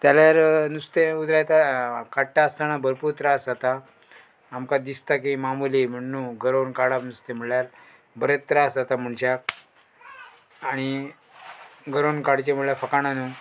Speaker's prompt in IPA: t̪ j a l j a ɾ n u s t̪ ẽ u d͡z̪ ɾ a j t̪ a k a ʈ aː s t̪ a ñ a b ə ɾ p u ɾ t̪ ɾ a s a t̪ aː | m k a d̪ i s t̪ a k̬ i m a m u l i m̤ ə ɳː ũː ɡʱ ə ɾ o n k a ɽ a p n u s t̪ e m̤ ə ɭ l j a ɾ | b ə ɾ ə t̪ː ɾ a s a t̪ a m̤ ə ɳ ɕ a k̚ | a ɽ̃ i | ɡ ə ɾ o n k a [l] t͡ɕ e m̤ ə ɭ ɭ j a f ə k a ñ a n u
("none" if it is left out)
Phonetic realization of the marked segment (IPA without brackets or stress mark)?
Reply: ɽ